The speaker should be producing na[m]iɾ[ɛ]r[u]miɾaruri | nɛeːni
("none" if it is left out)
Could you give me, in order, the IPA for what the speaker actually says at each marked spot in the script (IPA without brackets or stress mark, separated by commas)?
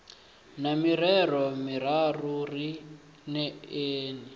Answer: m, ɛ, ɔ